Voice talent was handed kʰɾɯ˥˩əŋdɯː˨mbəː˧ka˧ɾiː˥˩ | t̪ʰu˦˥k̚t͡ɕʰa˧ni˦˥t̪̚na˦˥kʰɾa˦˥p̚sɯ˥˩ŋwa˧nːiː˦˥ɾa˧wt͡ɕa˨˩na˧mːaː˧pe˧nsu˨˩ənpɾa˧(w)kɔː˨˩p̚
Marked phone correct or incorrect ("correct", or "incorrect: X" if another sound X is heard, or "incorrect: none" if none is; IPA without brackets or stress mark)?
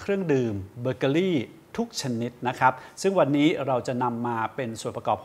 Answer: incorrect: none